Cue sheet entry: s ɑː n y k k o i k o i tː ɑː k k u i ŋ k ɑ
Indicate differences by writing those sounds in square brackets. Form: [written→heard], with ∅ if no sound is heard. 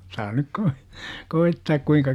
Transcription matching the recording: s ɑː n y k k o i k o i tː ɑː k k u i ŋ k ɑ